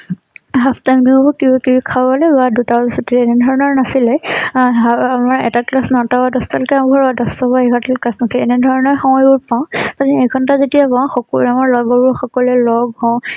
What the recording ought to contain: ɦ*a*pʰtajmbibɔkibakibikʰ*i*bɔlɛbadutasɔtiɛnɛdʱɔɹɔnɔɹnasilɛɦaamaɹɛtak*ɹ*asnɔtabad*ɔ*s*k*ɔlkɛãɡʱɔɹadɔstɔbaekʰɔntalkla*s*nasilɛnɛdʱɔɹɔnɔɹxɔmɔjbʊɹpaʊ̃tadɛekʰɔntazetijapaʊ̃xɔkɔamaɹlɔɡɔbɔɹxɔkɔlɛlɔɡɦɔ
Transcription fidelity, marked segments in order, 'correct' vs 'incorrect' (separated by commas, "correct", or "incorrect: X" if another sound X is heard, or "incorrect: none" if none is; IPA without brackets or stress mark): correct, incorrect: a, incorrect: l, correct, incorrect: t, correct